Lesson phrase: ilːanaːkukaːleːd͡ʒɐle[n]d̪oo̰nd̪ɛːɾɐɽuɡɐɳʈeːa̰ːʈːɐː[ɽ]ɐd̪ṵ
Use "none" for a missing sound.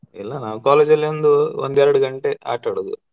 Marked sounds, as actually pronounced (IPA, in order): n, ɽ

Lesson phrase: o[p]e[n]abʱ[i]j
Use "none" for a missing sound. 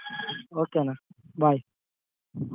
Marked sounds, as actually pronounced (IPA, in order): k, n, a

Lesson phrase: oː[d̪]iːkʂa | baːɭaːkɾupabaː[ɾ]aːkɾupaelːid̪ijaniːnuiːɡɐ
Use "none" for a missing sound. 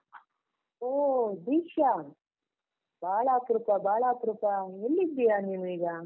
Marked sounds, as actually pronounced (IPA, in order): d̪, ɭ

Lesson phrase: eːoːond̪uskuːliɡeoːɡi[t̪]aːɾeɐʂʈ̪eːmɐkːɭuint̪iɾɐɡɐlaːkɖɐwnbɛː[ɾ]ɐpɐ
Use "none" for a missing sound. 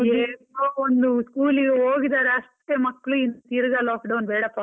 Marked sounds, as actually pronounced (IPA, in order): d̪, ɽ

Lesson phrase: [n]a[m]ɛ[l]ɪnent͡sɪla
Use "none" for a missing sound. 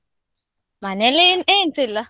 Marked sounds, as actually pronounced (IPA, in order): m, n, l

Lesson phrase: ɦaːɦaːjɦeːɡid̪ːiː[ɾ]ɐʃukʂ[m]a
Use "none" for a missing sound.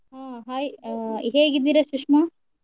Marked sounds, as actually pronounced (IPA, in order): ɾ, m

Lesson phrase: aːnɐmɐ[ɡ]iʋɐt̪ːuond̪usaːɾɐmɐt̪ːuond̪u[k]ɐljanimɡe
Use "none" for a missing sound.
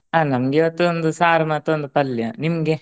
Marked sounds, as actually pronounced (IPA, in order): ɡ, p

